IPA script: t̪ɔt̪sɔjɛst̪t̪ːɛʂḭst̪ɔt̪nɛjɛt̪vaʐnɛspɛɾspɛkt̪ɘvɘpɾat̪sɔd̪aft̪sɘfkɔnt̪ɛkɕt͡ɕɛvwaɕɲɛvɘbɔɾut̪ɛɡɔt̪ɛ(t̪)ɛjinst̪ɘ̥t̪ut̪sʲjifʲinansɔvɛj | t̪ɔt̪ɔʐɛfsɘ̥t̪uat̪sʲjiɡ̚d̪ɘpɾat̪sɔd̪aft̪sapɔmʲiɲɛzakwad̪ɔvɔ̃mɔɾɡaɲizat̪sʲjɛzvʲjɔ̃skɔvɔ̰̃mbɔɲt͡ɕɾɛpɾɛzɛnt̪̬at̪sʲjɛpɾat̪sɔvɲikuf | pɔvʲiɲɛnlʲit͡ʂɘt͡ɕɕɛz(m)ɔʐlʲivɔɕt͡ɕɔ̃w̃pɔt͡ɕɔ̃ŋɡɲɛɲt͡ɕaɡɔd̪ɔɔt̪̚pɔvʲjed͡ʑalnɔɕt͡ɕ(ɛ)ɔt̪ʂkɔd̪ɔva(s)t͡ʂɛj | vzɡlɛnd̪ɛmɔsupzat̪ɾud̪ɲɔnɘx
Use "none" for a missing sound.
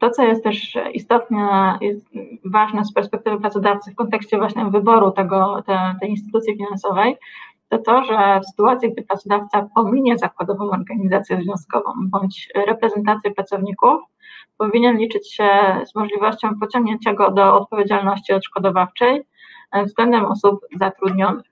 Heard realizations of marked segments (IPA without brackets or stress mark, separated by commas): t̪, m, i, f